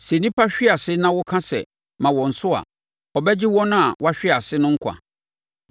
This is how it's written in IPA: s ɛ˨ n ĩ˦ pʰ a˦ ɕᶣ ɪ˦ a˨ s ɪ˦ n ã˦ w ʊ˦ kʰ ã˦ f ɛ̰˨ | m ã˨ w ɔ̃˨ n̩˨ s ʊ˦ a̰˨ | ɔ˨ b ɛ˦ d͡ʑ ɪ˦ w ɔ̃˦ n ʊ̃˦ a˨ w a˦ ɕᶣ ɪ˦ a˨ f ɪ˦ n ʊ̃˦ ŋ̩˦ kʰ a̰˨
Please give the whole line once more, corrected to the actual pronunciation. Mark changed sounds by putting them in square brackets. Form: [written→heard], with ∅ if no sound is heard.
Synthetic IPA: s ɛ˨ n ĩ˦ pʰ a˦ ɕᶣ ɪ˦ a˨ s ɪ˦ n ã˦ w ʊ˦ kʰ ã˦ [f→s] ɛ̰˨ | m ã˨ w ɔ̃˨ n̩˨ s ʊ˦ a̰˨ | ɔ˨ b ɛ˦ d͡ʑ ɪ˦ w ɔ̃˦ n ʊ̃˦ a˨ w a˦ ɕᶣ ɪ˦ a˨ [f→s] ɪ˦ n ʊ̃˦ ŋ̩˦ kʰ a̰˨